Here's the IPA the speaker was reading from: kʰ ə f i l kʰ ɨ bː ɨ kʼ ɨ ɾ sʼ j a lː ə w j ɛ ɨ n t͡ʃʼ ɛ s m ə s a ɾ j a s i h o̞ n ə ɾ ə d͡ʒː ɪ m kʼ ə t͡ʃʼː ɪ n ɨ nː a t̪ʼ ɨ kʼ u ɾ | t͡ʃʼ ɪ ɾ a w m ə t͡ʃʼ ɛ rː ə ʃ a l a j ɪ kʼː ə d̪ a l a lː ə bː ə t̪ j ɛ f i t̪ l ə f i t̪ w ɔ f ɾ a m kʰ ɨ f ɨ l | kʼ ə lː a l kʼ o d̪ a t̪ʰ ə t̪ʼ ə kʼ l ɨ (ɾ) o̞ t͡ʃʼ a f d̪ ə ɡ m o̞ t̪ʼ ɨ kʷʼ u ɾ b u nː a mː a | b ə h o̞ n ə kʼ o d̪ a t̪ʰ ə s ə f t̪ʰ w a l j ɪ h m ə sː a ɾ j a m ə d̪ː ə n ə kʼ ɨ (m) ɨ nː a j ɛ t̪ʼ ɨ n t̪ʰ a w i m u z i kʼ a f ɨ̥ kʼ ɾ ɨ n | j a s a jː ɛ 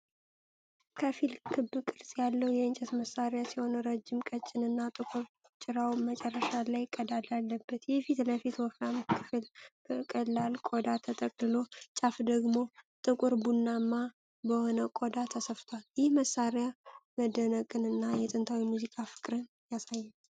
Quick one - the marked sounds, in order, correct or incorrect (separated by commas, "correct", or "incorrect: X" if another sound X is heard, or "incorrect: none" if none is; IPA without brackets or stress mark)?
incorrect: l, incorrect: n